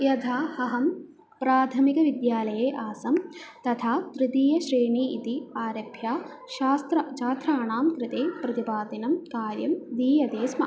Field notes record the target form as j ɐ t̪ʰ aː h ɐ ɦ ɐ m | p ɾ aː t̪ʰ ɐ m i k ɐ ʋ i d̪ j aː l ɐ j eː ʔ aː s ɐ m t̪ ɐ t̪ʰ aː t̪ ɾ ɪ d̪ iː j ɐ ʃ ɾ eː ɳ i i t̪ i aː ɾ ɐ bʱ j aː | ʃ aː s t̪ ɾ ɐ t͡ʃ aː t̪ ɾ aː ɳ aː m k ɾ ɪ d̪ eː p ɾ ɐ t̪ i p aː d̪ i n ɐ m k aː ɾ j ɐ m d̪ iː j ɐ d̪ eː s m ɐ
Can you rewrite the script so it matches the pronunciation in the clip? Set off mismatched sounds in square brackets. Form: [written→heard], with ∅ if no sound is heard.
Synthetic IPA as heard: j ɐ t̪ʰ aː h ɐ ɦ ɐ m | p ɾ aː t̪ʰ ɐ m i k ɐ ʋ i d̪ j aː l ɐ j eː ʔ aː s ɐ m t̪ ɐ t̪ʰ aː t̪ ɾ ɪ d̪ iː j ɐ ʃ ɾ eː ɳ i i t̪ i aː ɾ ɐ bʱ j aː | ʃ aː s t̪ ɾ ɐ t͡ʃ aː t̪ ɾ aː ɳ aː m k ɾ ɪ [d̪→t̪] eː p ɾ ɐ t̪ i p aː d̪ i n ɐ m k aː ɾ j ɐ m d̪ iː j ɐ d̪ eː s m ɐ